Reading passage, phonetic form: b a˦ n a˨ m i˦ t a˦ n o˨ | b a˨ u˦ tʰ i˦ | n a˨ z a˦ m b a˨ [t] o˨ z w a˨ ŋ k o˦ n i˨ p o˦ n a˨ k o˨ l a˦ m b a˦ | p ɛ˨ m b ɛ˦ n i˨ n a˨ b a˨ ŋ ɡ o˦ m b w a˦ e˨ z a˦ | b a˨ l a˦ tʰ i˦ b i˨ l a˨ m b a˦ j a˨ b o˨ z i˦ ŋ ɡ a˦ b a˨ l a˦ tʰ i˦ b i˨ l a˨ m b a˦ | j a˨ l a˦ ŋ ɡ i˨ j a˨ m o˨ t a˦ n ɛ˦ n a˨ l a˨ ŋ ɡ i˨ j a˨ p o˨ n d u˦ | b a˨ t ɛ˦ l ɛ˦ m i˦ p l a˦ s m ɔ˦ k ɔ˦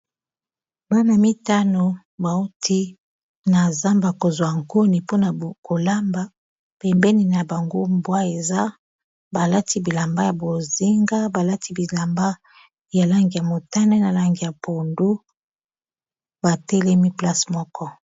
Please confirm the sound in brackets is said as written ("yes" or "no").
no